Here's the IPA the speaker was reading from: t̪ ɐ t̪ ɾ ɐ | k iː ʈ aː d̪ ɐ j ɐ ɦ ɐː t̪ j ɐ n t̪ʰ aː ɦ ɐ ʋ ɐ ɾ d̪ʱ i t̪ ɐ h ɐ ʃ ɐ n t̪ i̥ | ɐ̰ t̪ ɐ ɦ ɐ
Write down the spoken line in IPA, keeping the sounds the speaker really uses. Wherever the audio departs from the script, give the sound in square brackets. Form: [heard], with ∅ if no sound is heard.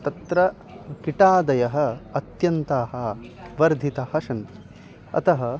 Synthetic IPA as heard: t̪ ɐ t̪ ɾ ɐ | k [i] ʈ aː d̪ ɐ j ɐ ɦ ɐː t̪ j ɐ n [t̪] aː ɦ ɐ ʋ ɐ ɾ d̪ʱ i t̪ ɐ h ɐ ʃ ɐ n t̪ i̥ | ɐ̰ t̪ ɐ ɦ ɐ